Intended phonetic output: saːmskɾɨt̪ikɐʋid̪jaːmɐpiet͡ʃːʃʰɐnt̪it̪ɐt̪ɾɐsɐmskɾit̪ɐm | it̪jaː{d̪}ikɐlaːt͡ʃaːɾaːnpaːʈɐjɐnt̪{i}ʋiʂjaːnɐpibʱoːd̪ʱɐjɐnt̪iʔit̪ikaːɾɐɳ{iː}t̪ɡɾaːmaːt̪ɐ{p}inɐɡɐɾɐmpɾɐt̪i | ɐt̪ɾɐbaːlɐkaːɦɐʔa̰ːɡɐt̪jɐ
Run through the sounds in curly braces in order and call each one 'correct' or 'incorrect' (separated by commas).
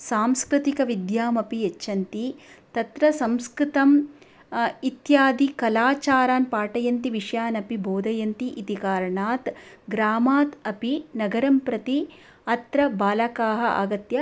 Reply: correct, correct, incorrect, correct